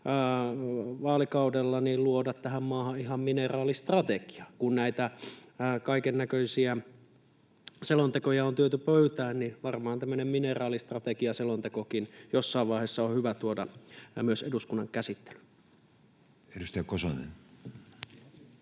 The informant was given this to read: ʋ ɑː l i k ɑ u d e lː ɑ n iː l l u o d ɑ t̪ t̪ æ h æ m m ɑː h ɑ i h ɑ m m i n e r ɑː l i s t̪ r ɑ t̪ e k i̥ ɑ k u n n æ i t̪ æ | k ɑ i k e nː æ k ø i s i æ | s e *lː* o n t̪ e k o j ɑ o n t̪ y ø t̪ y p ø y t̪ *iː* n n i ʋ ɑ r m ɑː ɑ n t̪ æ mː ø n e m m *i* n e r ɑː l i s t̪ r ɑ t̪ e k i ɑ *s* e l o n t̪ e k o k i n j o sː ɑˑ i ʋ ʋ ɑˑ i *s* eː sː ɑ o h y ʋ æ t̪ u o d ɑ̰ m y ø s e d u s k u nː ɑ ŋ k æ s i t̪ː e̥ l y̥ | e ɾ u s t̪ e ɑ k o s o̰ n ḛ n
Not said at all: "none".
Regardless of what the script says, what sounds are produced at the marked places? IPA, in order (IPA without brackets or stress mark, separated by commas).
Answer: l, æː, i, s, h